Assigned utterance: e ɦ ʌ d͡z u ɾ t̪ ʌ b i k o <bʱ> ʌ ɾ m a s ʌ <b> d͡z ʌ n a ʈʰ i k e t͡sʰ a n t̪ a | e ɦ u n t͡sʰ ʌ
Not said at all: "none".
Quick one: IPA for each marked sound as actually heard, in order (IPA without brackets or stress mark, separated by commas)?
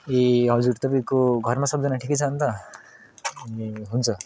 ɡʱ, b